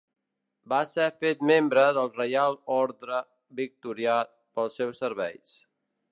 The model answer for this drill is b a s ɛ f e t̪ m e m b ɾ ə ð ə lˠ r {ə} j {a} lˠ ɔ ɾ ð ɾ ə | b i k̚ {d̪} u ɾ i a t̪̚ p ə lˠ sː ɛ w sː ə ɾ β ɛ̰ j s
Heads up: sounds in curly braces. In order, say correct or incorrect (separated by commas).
correct, correct, incorrect